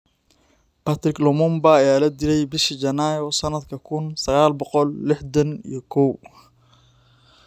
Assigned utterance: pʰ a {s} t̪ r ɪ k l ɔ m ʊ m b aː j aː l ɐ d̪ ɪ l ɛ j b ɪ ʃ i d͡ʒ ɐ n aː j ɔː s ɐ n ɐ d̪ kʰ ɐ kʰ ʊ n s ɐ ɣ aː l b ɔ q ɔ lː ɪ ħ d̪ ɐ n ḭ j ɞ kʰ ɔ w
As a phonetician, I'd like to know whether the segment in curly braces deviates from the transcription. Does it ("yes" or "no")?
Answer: yes